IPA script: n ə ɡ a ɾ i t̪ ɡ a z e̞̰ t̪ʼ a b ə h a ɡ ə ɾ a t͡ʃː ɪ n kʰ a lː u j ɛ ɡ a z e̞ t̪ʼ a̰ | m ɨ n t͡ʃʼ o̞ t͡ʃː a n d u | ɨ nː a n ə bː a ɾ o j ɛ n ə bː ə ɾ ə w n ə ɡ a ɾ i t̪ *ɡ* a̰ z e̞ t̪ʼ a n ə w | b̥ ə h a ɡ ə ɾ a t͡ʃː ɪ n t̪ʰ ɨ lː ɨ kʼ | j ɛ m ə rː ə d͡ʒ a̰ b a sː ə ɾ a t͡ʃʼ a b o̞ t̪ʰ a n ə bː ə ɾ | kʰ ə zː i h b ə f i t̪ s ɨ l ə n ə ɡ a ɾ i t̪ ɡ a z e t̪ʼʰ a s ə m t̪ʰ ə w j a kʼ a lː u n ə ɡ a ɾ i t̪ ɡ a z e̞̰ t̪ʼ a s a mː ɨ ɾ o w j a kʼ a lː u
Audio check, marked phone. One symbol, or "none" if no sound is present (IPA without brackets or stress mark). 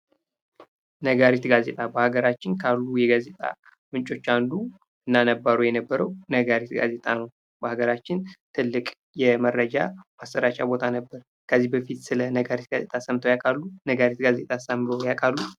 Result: ɡ